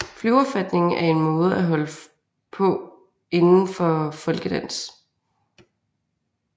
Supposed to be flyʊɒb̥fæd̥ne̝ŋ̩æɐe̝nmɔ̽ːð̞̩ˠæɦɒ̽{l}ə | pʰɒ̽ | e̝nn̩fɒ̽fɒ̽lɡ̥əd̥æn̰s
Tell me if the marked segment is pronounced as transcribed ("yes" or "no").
yes